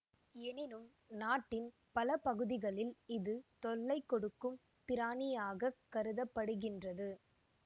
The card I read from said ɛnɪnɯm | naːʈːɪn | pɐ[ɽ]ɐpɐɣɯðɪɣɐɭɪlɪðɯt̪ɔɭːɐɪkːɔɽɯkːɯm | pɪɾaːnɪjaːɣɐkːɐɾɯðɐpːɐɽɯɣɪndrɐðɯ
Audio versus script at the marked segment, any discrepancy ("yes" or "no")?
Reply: yes